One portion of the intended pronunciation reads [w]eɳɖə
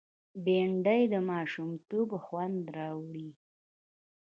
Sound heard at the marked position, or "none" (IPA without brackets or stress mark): b